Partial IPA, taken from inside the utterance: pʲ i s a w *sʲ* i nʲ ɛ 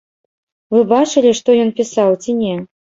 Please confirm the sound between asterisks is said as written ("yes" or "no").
no